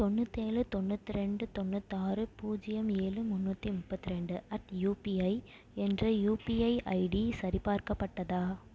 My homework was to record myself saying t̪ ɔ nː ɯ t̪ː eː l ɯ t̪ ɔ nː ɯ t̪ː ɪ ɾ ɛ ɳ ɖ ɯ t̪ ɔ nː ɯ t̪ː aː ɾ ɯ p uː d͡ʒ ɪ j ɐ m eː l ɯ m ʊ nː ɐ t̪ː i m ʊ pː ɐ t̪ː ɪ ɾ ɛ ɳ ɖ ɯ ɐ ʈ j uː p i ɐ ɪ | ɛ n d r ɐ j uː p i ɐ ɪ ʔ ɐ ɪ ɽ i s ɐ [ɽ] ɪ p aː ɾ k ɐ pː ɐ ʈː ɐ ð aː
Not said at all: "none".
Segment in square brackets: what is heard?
ɾ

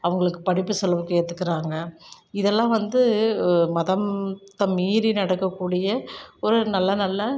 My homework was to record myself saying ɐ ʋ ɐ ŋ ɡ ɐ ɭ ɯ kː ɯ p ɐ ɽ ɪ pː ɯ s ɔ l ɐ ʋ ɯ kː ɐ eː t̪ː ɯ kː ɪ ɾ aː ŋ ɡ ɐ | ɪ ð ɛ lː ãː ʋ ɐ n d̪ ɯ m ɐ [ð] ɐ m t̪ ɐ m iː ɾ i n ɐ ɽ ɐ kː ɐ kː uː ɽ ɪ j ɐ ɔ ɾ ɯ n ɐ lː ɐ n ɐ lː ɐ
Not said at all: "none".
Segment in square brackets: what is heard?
ð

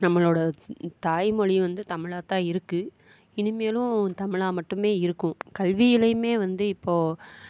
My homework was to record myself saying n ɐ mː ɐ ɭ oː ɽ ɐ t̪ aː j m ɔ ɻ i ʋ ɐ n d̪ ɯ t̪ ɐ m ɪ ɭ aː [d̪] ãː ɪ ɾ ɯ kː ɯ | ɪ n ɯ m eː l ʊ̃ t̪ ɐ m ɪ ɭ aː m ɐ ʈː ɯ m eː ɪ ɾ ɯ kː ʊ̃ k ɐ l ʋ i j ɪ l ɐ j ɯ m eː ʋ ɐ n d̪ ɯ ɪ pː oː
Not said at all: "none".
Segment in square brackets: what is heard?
t̪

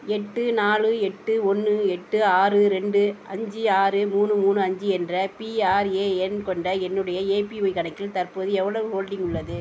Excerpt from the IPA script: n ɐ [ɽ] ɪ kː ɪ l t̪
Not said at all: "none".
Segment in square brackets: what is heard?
none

